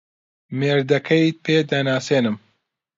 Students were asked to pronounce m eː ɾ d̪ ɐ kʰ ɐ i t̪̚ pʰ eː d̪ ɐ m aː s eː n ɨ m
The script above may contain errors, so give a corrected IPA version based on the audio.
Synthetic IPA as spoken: m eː ɾ d̪ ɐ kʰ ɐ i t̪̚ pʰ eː d̪ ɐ n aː s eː n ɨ m